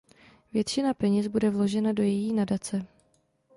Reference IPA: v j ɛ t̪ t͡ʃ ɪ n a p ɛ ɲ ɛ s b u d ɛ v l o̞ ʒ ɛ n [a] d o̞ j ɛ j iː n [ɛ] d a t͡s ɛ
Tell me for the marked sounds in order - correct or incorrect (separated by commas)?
correct, incorrect